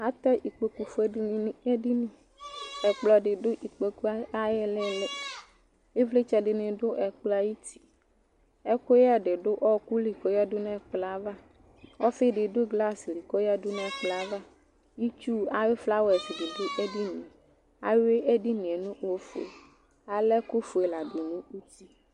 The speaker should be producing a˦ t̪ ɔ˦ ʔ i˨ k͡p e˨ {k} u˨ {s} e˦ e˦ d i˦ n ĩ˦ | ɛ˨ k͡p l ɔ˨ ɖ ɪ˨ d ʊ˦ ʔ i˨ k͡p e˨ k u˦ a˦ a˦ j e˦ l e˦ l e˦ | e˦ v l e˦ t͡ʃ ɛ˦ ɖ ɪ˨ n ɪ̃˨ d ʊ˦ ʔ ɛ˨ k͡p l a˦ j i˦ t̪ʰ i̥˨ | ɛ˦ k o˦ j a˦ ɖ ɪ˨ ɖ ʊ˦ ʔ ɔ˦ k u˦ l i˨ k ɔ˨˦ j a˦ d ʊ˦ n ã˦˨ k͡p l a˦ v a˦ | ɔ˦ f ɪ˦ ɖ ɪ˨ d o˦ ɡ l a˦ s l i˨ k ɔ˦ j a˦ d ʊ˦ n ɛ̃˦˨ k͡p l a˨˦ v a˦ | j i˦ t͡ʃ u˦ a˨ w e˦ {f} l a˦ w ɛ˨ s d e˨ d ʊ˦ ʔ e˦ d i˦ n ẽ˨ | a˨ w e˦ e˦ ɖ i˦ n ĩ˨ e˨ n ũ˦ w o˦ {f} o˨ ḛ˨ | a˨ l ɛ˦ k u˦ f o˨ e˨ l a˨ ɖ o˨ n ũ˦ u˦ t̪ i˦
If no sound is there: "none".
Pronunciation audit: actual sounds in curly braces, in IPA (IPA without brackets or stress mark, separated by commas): k, f, f, f